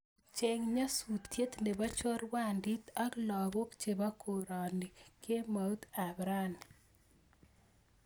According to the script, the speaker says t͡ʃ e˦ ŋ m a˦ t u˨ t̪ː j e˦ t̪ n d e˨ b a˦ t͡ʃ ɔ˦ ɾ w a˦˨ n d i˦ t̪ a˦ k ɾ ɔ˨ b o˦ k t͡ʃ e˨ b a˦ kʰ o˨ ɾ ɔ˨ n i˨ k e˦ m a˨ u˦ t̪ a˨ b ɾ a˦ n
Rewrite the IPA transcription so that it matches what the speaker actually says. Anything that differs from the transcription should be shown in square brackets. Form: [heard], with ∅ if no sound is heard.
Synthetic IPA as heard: t͡ʃ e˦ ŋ [ɲ] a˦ [s] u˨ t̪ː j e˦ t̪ n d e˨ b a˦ t͡ʃ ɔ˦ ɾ w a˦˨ n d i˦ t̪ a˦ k [l] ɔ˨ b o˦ k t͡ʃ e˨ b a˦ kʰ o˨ ɾ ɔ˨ n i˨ k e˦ m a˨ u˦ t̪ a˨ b ɾ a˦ n